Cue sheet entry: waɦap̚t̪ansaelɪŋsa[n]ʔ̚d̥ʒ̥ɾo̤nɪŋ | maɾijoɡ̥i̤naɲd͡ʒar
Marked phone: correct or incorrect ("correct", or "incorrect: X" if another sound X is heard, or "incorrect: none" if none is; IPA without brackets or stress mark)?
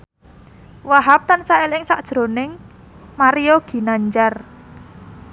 incorrect: none